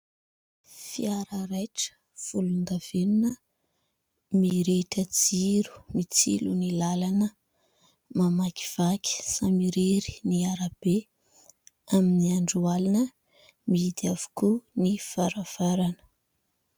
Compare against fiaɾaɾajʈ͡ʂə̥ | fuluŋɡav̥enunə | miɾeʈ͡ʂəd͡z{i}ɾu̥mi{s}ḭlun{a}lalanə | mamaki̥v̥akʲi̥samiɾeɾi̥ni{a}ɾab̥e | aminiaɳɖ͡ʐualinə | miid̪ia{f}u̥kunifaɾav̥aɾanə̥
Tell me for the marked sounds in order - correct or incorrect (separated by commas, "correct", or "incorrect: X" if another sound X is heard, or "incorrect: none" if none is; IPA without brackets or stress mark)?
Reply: correct, incorrect: t͡s, incorrect: i, correct, incorrect: v